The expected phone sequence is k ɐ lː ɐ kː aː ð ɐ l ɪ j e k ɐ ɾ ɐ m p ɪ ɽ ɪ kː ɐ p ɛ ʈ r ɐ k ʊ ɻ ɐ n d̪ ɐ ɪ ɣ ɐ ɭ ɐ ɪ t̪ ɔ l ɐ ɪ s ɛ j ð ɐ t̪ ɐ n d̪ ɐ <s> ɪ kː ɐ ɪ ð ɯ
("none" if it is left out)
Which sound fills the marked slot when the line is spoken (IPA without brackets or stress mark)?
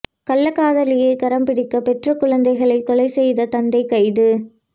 none